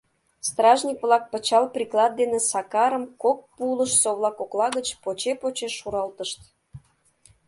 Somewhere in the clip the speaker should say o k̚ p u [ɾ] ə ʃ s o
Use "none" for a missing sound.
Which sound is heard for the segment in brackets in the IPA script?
l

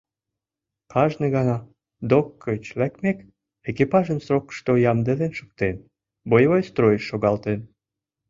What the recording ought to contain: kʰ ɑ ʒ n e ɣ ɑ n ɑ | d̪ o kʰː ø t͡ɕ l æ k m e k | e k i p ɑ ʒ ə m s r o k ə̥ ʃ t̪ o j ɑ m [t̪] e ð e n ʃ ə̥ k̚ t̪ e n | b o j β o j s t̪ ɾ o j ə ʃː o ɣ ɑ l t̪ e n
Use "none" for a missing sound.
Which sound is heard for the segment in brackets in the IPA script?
d̪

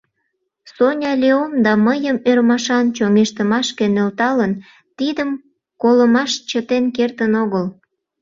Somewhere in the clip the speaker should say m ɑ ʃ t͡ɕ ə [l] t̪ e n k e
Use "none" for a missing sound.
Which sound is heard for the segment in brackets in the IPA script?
none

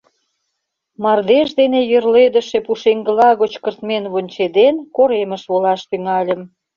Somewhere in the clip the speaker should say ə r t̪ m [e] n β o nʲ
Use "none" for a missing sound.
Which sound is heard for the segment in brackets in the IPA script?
e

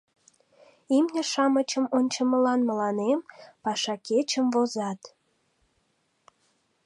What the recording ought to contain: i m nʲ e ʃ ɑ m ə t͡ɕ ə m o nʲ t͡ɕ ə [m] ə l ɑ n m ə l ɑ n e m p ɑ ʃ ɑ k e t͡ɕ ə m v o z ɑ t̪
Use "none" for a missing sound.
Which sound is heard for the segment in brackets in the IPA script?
m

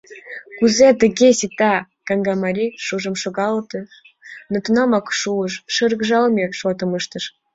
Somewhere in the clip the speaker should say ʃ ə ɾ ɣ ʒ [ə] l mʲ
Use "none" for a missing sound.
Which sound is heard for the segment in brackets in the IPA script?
ɑ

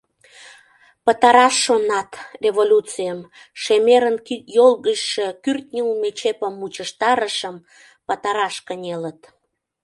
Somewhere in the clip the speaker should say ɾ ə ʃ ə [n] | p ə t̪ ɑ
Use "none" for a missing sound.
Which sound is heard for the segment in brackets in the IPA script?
m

